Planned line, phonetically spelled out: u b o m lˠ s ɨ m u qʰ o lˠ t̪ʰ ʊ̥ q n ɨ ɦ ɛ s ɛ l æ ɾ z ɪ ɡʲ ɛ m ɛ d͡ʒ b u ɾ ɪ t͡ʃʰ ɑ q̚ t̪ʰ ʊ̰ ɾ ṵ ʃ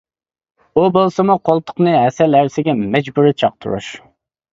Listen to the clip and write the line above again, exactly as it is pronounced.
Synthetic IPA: u b o lˠ s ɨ m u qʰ o lˠ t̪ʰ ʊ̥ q n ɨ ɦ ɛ s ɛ l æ ɾ s ɪ ɡʲ ɛ m ɛ d͡ʒ b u ɾ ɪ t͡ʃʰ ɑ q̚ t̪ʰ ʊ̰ ɾ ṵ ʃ